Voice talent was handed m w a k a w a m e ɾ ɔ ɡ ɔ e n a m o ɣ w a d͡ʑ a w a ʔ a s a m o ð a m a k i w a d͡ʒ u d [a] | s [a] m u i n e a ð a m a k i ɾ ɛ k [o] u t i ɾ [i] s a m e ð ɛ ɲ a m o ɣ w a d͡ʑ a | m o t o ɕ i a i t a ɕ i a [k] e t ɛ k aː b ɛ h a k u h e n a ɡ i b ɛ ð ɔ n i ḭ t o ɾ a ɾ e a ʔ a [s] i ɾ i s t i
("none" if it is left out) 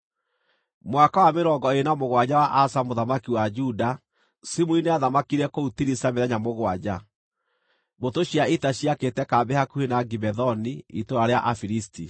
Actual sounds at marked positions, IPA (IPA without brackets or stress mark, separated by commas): a, i, o, i, k, f